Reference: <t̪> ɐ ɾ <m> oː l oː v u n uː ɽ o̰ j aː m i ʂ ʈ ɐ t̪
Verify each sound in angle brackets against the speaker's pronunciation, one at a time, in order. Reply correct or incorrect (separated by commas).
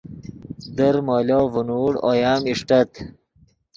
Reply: incorrect, correct